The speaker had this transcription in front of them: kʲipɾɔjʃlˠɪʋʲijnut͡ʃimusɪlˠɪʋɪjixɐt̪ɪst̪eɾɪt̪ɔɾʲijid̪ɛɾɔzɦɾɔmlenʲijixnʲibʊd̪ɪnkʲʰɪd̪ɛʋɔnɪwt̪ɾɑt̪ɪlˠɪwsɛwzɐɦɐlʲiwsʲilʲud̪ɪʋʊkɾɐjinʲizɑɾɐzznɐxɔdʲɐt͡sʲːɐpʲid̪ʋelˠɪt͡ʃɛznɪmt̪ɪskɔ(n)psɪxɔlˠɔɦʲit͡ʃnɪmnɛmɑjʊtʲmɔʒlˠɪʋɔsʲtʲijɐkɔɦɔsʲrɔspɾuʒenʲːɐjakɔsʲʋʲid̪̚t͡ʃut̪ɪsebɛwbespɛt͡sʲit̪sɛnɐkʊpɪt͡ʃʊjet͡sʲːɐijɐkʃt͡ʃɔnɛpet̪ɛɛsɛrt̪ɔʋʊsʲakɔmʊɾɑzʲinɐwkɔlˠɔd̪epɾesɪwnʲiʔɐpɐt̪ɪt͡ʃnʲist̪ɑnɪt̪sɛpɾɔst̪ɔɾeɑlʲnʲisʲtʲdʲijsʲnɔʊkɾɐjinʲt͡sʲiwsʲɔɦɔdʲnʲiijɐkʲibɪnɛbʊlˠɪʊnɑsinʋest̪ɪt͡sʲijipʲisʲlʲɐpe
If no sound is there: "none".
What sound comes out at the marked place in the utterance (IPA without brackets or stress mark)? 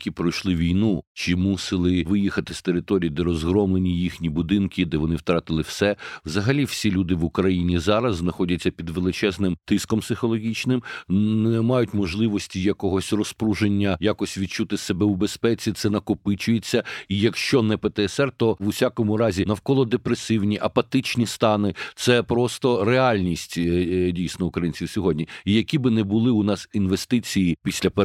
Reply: m